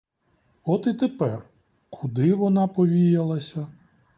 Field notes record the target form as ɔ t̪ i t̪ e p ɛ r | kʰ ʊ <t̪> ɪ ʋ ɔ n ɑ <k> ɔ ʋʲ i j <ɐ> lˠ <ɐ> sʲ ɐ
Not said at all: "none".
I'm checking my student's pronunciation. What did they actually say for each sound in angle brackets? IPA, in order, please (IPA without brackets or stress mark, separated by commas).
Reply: d̪, p, ɐ, ɐ